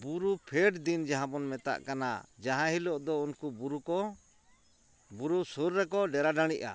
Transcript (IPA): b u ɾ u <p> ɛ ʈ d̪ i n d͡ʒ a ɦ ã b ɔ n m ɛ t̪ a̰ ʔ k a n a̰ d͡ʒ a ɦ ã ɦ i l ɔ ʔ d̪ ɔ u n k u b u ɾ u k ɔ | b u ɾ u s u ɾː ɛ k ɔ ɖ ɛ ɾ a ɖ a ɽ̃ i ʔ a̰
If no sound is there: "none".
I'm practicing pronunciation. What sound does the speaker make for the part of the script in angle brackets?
pʰ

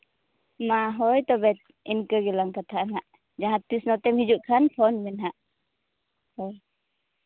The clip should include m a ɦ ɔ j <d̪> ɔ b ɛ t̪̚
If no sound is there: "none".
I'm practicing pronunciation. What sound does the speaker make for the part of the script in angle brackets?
t̪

